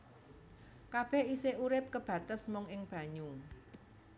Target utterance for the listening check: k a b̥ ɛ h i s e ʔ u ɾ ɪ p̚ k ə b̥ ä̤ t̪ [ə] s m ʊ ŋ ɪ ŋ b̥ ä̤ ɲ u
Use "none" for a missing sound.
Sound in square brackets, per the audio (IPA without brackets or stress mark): ə